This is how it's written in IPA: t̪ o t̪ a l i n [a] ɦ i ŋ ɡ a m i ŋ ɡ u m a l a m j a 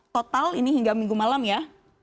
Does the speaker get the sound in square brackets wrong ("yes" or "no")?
yes